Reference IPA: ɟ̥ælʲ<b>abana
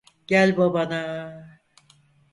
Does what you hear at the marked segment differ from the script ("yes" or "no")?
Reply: no